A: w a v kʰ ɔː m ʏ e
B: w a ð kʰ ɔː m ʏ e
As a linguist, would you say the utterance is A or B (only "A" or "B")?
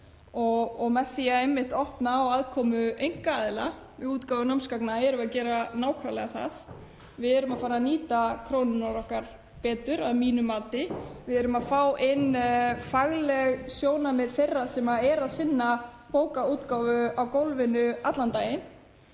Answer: B